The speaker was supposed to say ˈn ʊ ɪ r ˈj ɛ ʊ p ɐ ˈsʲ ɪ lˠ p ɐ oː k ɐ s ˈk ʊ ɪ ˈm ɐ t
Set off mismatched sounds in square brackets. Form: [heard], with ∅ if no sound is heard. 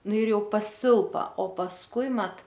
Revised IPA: ˈn ʊ ɪ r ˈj ɛ ʊ p ɐ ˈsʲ ɪ lˠ p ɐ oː [p] ɐ s ˈk ʊ ɪ ˈm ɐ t

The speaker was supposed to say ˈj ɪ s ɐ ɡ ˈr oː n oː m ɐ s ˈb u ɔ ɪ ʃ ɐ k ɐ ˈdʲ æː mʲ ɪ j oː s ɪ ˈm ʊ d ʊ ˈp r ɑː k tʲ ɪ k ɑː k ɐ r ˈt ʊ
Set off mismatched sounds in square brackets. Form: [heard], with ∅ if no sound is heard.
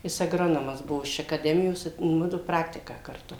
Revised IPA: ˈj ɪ s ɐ ɡ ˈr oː n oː m ɐ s ˈb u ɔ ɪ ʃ ɐ k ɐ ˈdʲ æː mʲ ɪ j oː s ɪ ˈm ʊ d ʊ ˈp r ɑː k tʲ ɪ k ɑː k ɐ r ˈt ʊ

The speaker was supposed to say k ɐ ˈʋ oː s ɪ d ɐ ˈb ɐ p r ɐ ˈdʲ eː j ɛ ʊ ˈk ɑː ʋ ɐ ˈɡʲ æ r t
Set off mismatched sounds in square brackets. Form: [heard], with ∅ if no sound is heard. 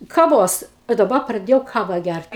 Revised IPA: k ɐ ˈʋ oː s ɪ d ɐ ˈb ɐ p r ɐ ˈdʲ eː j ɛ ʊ ˈk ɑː ʋ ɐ ˈɡʲ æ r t

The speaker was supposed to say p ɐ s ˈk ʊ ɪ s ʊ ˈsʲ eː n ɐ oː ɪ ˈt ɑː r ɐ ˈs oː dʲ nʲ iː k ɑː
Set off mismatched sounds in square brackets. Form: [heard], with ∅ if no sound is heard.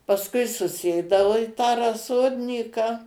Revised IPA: p ɐ s ˈk ʊ ɪ s ʊ ˈsʲ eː [d] ɐ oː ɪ ˈt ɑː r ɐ ˈs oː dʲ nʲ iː k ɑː

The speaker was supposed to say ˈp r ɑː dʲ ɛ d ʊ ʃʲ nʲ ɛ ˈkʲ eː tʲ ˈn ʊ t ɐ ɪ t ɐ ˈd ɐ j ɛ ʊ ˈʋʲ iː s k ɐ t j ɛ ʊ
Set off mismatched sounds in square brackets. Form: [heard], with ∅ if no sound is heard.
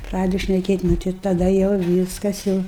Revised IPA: ˈp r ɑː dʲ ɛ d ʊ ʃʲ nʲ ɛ ˈkʲ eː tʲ ˈn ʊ t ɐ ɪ t ɐ ˈd ɐ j ɛ ʊ ˈʋʲ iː s k ɐ [s] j ɛ ʊ

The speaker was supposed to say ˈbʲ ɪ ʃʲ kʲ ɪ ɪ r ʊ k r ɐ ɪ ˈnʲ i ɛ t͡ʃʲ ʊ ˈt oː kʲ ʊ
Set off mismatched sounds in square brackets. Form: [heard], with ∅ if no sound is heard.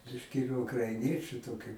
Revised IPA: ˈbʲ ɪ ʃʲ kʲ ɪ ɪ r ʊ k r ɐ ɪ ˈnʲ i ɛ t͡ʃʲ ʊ ˈt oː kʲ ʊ

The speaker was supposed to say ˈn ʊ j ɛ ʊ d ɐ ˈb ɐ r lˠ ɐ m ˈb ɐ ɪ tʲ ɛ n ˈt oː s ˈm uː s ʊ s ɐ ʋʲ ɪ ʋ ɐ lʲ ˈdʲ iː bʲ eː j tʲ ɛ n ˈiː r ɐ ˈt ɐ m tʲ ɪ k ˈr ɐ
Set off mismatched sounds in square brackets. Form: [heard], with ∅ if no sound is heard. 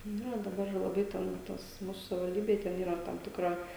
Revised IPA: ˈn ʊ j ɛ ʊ d ɐ ˈb ɐ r lˠ ɐ [∅] ˈb ɐ ɪ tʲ ɛ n ˈt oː s ˈm uː s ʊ s ɐ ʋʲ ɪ ʋ ɐ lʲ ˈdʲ iː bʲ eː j tʲ ɛ n ˈiː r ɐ ˈt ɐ m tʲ ɪ k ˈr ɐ

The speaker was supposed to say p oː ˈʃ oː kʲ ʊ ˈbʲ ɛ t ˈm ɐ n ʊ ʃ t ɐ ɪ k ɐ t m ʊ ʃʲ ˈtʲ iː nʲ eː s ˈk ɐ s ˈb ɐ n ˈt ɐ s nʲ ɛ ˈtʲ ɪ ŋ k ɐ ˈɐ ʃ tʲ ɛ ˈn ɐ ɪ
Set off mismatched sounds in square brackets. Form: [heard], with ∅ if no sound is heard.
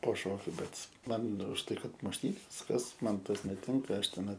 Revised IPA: p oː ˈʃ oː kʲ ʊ ˈbʲ ɛ t ˈm ɐ n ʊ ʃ t ɐ ɪ k ɐ t m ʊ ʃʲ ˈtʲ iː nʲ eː s ˈk ɐ s [ˈm] ɐ n ˈt ɐ s nʲ ɛ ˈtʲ ɪ ŋ k ɐ ˈɐ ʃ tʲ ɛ ˈn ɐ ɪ

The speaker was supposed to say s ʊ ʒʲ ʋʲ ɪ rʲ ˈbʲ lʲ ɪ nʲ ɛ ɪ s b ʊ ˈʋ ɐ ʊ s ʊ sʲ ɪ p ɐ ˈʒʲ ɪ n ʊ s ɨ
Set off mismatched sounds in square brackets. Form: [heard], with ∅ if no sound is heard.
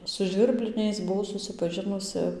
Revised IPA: s ʊ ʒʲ ʋʲ ɪ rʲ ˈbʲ lʲ ɪ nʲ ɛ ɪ s b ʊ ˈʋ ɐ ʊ s ʊ sʲ ɪ p ɐ ˈʒʲ ɪ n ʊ s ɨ

